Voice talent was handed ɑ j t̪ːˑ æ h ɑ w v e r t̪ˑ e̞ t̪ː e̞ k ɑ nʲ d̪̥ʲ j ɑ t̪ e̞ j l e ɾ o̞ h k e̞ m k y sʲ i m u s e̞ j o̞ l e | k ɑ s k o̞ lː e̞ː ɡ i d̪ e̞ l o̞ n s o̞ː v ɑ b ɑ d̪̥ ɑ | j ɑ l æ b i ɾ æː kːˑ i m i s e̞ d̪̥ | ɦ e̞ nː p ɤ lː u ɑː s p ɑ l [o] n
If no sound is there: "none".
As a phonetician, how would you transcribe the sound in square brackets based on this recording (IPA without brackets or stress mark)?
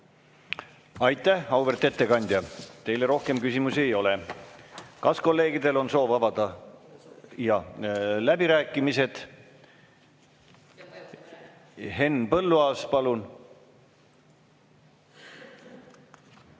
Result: u